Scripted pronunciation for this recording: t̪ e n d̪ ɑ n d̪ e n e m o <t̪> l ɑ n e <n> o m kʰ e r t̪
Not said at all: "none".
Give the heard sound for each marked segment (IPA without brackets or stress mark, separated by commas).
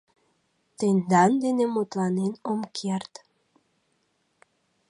t̪, n